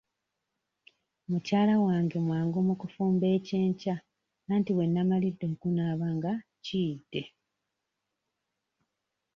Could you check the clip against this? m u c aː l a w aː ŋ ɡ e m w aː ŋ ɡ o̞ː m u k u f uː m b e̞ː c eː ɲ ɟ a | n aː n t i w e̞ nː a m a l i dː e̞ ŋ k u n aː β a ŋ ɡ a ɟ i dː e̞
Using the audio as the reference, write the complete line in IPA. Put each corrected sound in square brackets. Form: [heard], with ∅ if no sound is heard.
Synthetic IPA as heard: m u c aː l a w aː ŋ ɡ e m w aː ŋ ɡ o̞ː m u k u f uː m b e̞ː c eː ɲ [c] a | n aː n t i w e̞ nː a m a l i dː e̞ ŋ k u n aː β a ŋ ɡ a [c] i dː e̞

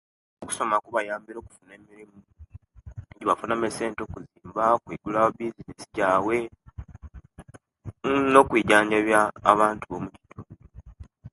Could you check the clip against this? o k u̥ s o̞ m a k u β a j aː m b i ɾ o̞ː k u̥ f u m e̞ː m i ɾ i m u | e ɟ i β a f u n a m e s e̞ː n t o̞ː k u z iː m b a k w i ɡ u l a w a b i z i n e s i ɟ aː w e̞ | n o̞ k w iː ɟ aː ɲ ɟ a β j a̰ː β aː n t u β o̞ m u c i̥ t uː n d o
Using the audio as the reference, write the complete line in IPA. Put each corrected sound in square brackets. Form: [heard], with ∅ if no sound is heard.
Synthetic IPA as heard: o k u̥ s o̞ m a k u β a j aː m b i ɾ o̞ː k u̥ f u [n] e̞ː m i ɾ i m u | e ɟ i β a f u n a m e s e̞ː n t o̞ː k u z iː m b a k w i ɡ u l a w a b i z i n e s i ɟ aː w e̞ | n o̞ k w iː ɟ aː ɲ ɟ a β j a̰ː β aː n t u β o̞ m u c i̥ t uː n d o

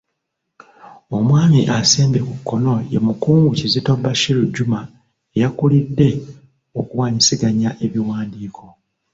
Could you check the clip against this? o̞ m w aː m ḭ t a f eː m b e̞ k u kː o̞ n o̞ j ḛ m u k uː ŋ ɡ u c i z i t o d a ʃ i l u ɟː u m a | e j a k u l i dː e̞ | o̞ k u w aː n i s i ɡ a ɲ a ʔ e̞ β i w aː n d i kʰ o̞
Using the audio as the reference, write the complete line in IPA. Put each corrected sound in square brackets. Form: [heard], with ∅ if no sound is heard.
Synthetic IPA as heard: o̞ m w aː m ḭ [ʔ] a [s] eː m b e̞ k u kː o̞ n o̞ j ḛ m u k uː ŋ ɡ u c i z i t o [b] a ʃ i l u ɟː u m a | e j a k u l i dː e̞ | o̞ k u w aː [ɲ] i s i ɡ a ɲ a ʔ e̞ β i w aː n d [iː] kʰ o̞

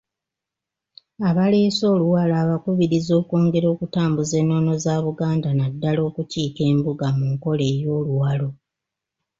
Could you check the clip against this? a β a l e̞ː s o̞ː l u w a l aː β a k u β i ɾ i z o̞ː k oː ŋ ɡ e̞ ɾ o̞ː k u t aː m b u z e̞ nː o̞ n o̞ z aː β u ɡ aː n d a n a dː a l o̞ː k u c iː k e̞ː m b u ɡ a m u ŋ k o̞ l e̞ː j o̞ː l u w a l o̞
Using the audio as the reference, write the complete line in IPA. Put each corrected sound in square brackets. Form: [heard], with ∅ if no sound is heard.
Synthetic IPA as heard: a β a l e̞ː s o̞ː l u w a l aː β a k u β i ɾ i z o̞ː k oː ŋ ɡ e̞ ɾ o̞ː k u t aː m b u z e̞ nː o̞ n o̞ z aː β u ɡ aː n d a n a dː a l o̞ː k u c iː k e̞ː m b u ɡ a m u ŋ k o̞ l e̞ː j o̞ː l u w a l o̞

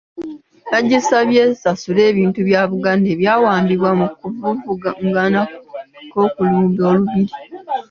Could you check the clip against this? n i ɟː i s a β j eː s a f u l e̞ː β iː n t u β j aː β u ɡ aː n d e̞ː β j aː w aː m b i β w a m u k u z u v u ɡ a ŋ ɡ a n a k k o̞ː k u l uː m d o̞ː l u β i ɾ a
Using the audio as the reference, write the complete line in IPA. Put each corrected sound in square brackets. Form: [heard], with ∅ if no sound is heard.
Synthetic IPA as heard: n [a] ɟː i s a β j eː s a [s] u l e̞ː β iː n t u β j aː β u ɡ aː n d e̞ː β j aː w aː m b i β w a m u k u [v] u v u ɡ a ŋ ɡ a n a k k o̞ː k u l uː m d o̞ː l u β i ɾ [i]

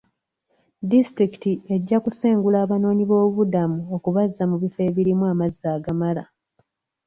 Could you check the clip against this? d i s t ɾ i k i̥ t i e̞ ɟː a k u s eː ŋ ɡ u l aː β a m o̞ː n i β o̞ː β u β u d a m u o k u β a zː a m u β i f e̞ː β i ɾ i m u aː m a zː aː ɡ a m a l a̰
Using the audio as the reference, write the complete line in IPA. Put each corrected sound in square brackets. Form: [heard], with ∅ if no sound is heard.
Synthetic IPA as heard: d i s t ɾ i k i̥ t i e̞ ɟː a k u s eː ŋ ɡ u l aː β a [n] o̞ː [ɲ] i β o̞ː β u β u d a m u o k u β a zː a m u β i f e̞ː β i ɾ i m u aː m a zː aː ɡ a m a l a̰

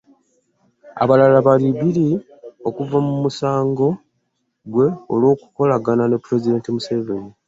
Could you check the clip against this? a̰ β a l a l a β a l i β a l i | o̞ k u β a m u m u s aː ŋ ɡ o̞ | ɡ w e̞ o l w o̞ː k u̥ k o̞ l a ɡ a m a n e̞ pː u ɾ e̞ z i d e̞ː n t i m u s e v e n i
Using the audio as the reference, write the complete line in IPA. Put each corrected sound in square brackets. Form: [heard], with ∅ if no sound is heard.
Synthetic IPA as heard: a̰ β a l a l a β a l i β [i] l i | o̞ k u [v] a m u m u s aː ŋ ɡ o̞ | ɡ w e̞ o l w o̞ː k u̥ k o̞ l a ɡ a [n] a n e̞ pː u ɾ e̞ z i d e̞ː n t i m u s e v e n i

